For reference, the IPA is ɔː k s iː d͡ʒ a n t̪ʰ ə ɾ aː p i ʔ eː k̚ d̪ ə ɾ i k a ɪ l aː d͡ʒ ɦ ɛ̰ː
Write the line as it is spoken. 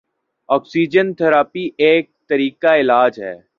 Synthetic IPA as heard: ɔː k s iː d͡ʒ ə n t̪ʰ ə ɾ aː p i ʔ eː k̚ t̪ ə ɾ iː k a ɪ l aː d͡ʒ ɦ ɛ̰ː